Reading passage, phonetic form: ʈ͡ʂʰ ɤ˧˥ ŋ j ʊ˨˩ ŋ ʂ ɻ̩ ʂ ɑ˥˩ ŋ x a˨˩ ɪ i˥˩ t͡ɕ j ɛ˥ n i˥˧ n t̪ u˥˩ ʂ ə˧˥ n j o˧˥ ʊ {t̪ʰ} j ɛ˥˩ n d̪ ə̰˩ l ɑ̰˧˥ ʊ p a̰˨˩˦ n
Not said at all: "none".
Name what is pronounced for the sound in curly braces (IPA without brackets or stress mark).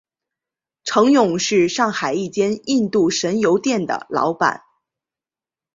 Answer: t̪